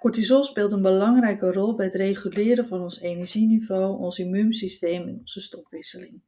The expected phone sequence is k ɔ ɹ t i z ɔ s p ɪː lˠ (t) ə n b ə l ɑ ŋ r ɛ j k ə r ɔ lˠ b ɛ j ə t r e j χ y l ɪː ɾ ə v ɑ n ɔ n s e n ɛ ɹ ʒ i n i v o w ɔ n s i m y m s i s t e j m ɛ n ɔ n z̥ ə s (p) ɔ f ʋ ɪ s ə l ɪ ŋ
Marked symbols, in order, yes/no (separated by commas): yes, no